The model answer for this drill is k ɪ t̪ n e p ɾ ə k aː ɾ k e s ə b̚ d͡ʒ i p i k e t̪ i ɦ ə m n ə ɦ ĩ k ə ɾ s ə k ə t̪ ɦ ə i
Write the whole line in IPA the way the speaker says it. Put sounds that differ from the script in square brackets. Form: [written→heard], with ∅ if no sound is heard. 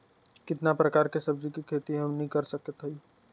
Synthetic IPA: k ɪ t̪ n [e→a] p ɾ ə k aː ɾ k e s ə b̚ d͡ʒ i [p→k] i [k→kʰ] e t̪ i ɦ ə m n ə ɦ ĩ k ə ɾ s ə k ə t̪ ɦ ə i